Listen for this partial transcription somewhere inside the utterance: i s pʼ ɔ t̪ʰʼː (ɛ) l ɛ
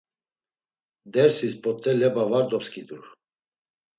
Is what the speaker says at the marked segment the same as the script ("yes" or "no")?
yes